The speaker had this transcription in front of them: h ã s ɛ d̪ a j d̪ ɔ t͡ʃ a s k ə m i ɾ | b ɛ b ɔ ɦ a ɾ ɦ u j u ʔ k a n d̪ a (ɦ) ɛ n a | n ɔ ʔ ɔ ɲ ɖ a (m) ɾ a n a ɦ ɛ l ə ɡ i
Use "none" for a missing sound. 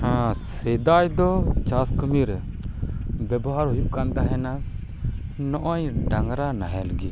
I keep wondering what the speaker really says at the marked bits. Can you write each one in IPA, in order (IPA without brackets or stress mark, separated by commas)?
ɦ, ŋ